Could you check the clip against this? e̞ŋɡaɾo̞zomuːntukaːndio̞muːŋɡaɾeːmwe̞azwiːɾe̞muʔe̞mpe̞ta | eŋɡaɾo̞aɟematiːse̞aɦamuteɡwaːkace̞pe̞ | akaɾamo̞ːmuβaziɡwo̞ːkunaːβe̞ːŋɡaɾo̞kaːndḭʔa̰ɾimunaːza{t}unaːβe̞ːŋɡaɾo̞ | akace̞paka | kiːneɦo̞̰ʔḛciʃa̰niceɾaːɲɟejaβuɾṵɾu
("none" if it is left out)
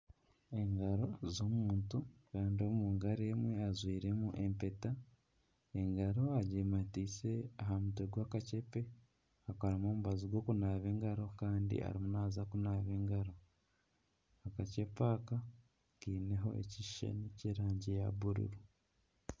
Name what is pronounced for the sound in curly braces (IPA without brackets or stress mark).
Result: k